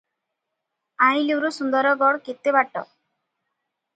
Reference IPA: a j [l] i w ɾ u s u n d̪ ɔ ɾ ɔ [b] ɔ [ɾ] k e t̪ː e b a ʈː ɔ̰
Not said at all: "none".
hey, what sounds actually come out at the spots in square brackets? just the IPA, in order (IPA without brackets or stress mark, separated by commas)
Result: l, ɡ, ɽ